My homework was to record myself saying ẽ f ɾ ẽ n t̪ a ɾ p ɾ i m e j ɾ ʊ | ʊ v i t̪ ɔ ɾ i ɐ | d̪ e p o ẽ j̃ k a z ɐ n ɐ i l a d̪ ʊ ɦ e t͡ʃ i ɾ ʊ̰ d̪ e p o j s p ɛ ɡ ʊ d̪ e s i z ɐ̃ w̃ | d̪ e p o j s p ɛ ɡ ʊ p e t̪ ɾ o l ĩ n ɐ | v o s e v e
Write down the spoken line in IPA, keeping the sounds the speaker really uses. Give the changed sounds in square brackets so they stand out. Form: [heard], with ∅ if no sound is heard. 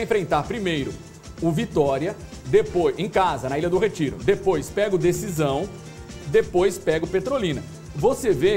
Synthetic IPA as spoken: ẽ f ɾ ẽ n t̪ a ɾ p ɾ i m e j ɾ ʊ | ʊ v i t̪ ɔ ɾ i ɐ | d̪ e p o ẽ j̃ k a z ɐ n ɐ i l [ɐ] d̪ ʊ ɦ e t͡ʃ i ɾ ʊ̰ d̪ e p o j s p ɛ ɡ ʊ d̪ e s i z ɐ̃ w̃ | d̪ e p o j s p ɛ ɡ ʊ p e t̪ ɾ o l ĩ n ɐ | v o s e v e